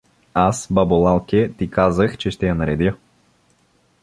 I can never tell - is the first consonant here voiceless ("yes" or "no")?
yes